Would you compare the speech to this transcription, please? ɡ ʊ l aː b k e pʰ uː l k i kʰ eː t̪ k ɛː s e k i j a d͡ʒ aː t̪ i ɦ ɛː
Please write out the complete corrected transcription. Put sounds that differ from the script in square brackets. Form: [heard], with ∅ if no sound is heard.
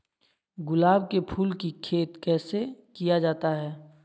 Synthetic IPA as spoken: ɡ ʊ l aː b k e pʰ uː l k i kʰ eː t̪ k ɛː s e k i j a d͡ʒ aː t̪ [a] ɦ ɛː